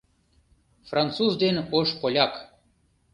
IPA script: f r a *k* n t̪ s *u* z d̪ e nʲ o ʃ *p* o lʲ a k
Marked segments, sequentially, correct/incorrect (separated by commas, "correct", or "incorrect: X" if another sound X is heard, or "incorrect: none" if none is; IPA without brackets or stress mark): incorrect: none, correct, correct